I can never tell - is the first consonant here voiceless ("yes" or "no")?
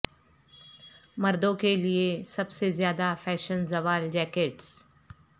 no